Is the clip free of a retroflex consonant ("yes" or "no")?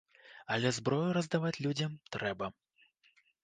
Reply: yes